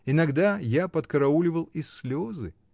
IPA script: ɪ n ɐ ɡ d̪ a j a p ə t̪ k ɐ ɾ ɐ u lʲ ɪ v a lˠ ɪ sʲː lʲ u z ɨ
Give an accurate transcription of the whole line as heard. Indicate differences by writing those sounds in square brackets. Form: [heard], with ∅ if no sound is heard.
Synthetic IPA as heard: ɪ n ɐ ɡ d̪ a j a p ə t̪ k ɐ ɾ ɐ u lʲ ɪ v [ə] lˠ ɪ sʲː lʲ [o] z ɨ